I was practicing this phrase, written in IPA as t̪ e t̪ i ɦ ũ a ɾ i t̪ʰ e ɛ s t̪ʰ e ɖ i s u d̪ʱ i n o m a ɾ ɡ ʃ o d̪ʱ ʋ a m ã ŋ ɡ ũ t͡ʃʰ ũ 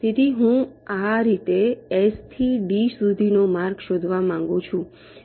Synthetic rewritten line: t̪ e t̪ i ɦ ũ a ɾ i t̪ e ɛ s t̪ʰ i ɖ i s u d̪ʱ i n o m a ɾ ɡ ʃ o d̪ʱ ʋ a m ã ŋ ɡ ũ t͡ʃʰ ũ